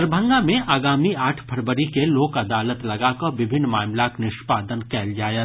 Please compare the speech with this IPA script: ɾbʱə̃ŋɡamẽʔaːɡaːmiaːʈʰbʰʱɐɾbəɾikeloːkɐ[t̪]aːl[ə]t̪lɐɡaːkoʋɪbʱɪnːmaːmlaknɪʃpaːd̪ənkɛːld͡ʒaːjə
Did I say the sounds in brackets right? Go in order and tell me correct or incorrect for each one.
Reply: incorrect, correct

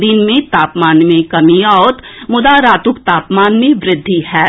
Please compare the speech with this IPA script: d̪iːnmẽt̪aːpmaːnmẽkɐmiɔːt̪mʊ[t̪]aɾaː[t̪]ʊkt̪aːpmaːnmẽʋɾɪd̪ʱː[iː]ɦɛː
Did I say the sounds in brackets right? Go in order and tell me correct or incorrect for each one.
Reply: incorrect, correct, incorrect

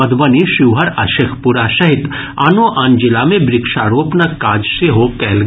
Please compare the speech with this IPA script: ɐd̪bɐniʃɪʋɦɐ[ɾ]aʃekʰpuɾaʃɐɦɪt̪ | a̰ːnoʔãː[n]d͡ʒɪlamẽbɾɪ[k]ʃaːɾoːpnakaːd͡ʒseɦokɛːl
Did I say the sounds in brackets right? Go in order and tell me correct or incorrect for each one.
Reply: correct, correct, correct

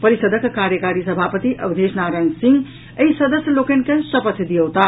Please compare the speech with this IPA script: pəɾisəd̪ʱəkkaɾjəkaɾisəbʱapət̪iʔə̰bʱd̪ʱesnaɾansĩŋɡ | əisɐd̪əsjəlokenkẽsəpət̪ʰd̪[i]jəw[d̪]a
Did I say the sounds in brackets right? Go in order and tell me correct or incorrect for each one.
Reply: correct, incorrect

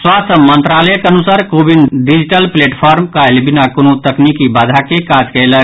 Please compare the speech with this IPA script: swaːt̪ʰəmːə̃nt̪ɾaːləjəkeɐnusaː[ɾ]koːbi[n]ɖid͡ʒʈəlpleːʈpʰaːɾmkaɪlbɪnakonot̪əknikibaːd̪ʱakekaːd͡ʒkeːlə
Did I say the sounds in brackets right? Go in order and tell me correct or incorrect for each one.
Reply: correct, correct

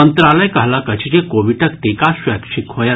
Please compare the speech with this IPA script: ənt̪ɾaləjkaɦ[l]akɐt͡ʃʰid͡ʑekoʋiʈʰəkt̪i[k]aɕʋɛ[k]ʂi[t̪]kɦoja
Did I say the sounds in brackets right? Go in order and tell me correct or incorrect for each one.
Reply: correct, correct, correct, incorrect

